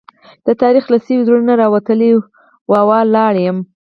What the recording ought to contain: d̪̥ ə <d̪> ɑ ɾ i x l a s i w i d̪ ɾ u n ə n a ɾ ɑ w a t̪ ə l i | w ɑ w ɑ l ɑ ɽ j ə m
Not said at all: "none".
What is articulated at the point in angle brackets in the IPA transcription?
t̪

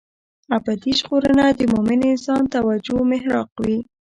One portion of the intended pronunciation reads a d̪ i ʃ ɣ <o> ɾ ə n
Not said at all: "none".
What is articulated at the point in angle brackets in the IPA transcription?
o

